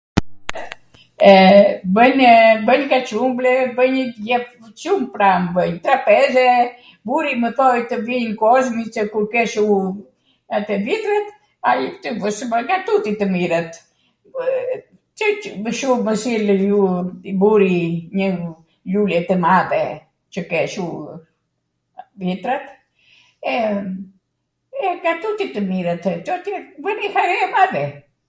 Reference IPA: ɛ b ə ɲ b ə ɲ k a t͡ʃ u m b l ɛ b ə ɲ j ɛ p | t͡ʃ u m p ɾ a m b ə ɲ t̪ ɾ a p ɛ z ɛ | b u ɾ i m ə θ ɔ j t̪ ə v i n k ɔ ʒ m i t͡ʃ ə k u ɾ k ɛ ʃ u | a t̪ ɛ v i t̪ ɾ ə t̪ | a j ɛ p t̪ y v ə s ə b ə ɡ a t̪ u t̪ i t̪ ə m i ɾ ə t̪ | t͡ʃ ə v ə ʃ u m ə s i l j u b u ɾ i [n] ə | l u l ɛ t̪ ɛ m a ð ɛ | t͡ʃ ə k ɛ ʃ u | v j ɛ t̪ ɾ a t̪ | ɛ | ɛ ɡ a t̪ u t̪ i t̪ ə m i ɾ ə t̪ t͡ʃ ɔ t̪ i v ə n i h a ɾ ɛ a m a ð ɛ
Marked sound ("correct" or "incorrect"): incorrect